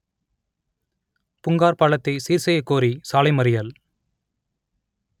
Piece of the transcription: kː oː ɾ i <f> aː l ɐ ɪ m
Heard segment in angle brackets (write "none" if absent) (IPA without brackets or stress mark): s